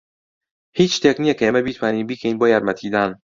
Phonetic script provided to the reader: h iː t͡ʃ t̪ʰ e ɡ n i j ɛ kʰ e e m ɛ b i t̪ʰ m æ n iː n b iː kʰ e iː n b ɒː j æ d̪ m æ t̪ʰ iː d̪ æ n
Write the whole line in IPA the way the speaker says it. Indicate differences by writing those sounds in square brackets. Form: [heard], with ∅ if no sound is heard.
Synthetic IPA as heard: h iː t͡ʃ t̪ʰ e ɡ n i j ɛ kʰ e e m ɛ b i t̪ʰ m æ n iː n b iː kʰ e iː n b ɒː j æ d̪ m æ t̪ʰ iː d̪ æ n